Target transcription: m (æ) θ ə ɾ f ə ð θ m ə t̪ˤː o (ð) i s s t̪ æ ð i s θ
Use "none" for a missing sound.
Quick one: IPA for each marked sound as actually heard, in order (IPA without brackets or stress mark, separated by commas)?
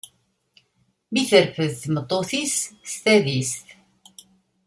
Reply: i, θ